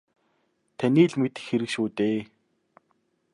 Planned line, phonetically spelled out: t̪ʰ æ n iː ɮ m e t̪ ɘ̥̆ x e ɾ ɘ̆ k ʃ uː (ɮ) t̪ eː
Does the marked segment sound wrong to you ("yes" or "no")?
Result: yes